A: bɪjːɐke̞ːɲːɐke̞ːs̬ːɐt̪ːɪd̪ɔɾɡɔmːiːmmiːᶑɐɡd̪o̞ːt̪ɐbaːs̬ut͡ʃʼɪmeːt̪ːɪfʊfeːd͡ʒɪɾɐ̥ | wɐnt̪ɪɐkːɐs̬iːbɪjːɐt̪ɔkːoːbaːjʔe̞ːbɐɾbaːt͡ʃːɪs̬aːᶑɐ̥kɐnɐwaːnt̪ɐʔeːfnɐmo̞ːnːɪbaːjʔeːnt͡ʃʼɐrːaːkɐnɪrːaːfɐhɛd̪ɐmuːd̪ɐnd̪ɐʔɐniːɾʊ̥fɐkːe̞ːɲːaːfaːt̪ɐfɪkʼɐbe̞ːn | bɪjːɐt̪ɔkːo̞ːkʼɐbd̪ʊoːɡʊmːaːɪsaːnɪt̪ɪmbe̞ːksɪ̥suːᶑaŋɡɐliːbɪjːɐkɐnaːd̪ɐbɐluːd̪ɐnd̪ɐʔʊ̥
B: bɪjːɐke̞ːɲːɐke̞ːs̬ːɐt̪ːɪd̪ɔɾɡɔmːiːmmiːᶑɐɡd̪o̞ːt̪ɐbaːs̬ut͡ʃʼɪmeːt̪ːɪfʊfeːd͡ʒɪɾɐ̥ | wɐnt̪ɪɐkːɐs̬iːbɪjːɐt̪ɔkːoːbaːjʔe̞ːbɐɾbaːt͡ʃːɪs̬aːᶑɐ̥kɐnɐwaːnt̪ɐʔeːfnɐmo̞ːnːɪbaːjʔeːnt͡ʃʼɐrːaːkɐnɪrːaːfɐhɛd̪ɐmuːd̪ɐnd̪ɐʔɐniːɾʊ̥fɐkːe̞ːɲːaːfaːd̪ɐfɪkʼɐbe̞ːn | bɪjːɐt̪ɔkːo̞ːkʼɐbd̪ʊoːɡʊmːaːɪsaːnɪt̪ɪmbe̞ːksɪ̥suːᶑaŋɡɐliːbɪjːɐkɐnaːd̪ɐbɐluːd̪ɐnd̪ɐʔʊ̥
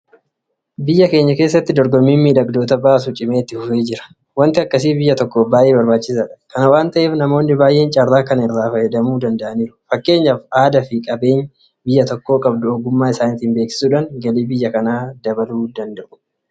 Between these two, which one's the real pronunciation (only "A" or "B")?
B